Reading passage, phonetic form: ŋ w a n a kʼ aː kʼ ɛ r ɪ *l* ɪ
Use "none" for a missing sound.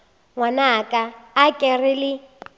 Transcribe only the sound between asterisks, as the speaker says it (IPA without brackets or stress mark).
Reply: l